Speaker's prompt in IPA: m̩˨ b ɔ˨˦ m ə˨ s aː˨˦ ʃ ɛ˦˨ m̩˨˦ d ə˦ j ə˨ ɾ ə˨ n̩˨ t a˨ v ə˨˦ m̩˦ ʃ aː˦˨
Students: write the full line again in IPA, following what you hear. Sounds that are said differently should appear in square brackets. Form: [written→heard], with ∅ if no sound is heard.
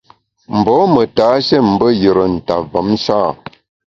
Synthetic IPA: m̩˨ b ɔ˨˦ m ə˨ [s→t] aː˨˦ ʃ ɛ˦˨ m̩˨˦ [d→b] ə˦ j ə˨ ɾ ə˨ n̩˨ t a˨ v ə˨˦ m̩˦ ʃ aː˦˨

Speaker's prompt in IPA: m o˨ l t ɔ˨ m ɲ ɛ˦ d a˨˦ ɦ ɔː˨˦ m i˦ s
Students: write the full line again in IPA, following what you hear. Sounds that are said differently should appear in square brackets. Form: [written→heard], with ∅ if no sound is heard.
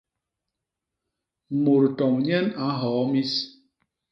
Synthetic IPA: m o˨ [l→ɾ] t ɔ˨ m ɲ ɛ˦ [d→n] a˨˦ ɦ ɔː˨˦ m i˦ s

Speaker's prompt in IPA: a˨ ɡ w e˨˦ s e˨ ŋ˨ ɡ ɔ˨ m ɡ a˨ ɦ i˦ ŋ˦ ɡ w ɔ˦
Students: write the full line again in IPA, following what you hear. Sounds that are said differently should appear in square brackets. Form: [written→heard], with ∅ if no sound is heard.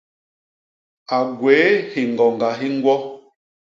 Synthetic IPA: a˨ ɡ w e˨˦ [s→h] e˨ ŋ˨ ɡ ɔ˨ [m→ŋ] ɡ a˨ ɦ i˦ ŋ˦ ɡ w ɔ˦

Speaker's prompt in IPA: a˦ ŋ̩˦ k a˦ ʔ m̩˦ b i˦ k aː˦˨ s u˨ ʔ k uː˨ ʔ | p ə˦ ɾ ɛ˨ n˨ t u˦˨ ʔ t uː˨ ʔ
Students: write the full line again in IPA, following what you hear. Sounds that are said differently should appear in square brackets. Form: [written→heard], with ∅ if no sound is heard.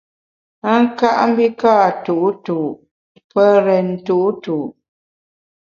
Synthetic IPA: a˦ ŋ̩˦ k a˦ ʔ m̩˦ b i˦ k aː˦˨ [s→t] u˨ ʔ [k→t] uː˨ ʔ | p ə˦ ɾ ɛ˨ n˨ t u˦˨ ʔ t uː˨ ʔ

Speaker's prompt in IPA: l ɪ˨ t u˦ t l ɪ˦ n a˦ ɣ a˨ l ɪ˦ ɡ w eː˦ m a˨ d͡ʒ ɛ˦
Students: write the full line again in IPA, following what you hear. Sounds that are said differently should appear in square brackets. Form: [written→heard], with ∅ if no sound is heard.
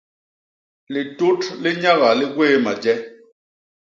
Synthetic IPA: l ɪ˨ t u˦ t l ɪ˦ [n→ɲ] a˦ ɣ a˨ l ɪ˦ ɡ w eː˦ m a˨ d͡ʒ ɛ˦

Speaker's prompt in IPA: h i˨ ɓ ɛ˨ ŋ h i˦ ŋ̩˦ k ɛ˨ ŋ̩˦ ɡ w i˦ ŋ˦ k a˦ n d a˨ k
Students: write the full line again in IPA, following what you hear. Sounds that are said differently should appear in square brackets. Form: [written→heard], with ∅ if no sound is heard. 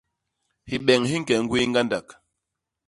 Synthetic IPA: h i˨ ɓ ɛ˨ ŋ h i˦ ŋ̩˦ k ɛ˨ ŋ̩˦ ɡ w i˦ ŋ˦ [k→ɡ] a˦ n d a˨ k

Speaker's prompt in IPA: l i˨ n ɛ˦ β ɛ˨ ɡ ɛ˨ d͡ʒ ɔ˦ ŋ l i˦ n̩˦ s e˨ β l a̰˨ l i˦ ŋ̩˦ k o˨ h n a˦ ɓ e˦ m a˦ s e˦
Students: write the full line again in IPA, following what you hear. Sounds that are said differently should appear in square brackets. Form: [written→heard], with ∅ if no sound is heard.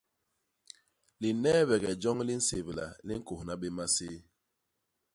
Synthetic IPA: l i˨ n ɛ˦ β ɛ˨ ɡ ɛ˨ d͡ʒ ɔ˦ ŋ l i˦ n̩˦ s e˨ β l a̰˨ l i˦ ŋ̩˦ k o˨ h n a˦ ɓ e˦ m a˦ s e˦

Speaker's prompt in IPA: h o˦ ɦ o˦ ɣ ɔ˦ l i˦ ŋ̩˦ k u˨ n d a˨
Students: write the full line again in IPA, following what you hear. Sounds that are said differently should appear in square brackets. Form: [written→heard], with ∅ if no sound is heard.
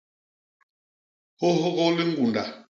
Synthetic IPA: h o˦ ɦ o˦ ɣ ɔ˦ l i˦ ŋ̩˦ [k→ɡ] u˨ n d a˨

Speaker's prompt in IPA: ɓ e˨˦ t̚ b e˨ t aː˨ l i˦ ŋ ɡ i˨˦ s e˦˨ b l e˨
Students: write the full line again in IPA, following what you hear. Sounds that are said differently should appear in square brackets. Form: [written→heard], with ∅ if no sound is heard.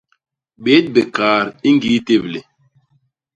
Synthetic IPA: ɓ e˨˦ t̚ b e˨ [t→k] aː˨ [l→ɾ] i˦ ŋ ɡ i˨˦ [s→t] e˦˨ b l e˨

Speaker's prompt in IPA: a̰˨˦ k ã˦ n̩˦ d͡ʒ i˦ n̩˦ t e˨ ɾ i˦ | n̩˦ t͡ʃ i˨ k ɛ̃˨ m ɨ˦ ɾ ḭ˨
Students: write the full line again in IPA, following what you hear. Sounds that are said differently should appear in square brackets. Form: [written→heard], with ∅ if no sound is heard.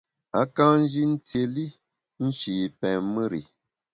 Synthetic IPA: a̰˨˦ k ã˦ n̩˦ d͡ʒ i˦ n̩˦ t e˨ [ɾ→l] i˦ | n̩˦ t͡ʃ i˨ [k→p] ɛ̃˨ m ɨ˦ ɾ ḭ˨

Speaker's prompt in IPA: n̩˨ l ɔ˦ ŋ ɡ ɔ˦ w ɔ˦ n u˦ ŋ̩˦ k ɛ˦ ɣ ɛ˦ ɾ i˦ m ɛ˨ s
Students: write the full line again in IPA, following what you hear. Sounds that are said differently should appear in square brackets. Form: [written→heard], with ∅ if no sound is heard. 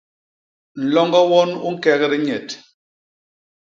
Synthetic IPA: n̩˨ l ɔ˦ ŋ ɡ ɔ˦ w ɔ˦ n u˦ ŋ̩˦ k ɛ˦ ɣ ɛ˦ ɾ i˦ [m→ɲ] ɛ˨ [s→t]

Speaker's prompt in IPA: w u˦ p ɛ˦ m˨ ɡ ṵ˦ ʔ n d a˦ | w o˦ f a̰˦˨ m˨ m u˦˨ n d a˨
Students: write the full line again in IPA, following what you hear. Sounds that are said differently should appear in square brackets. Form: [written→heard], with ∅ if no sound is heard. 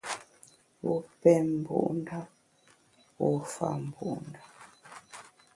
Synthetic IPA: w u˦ p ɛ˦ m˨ [ɡ→b] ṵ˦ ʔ n d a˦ | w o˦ f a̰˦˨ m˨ [m→b] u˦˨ n d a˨

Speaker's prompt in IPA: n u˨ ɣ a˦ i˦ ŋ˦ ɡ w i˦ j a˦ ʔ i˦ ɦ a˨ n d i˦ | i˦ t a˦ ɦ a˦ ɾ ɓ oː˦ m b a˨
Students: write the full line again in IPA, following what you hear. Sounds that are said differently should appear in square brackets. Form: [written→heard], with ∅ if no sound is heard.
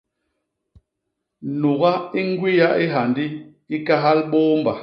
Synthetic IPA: n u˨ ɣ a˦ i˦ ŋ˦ ɡ w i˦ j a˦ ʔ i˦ ɦ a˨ n d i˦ | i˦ [t→k] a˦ ɦ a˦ [ɾ→l] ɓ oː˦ m b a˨

